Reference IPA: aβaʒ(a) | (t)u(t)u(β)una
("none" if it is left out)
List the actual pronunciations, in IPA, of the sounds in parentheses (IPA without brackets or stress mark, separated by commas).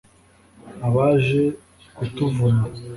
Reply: e, k, t, v